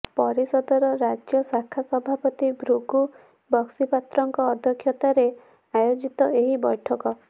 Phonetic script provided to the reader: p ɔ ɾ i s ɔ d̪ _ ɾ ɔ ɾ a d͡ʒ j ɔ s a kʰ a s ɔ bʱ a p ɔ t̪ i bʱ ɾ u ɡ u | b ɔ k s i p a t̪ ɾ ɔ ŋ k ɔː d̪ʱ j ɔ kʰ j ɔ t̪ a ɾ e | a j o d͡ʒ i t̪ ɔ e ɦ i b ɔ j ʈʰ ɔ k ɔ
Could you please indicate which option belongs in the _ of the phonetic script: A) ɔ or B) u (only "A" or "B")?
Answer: A